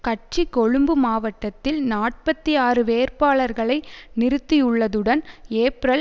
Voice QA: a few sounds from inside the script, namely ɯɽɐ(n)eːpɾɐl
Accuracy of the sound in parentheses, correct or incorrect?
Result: correct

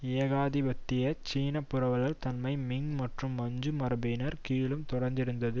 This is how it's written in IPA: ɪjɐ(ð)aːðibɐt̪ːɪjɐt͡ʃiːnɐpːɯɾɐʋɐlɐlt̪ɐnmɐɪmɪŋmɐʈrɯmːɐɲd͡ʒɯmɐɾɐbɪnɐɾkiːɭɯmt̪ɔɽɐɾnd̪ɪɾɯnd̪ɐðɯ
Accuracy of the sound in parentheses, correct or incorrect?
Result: incorrect: ɣ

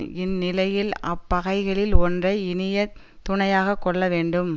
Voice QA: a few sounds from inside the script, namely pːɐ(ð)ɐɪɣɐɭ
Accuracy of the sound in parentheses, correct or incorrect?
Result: incorrect: ɣ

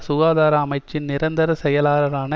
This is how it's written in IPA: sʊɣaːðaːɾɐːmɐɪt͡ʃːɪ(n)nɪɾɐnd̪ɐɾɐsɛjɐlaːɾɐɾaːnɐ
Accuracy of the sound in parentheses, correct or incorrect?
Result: correct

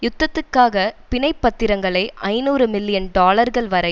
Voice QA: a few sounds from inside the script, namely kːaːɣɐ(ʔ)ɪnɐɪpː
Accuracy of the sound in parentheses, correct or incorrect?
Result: incorrect: p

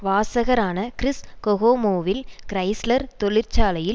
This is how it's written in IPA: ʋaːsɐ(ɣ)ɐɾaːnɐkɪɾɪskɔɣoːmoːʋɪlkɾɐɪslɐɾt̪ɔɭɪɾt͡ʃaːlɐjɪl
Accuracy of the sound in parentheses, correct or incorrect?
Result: correct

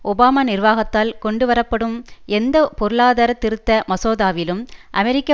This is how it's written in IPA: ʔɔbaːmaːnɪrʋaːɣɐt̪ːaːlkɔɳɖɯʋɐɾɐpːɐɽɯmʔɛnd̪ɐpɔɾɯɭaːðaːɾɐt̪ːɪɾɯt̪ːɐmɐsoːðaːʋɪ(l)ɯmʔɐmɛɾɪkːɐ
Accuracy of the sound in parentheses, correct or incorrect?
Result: correct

